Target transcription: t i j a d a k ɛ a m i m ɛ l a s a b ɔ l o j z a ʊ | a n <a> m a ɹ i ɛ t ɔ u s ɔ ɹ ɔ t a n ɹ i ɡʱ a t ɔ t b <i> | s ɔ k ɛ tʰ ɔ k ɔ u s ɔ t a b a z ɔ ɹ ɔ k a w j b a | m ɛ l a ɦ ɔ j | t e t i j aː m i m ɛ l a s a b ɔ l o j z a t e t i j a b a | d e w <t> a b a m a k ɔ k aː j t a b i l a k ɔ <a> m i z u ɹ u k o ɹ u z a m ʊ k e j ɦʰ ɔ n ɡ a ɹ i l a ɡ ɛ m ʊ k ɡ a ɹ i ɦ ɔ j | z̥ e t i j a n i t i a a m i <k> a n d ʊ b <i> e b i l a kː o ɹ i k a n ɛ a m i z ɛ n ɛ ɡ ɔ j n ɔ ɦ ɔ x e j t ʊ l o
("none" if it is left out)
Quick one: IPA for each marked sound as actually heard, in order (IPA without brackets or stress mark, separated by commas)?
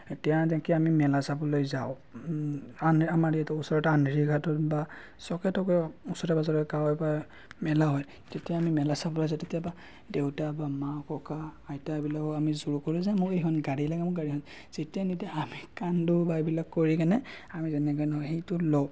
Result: a, a, t, a, k, a